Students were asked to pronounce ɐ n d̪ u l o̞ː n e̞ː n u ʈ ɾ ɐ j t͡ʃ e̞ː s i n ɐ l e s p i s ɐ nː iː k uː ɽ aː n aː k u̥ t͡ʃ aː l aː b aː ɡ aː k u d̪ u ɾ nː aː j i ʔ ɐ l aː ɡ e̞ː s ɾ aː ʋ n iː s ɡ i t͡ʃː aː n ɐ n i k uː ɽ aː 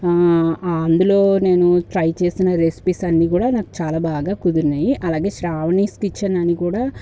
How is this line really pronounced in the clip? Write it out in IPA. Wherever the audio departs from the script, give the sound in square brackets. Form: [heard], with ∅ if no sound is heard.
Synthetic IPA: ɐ n d̪ u l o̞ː n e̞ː n u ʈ ɾ ɐ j t͡ʃ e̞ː s i n ɐ [ɾ] e s p i s ɐ nː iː k uː ɽ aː n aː k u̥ t͡ʃ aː l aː b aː ɡ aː k u d̪ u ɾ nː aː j i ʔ ɐ l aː ɡ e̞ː [ʃ] ɾ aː ʋ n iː s [k] i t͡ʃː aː n ɐ n i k uː ɽ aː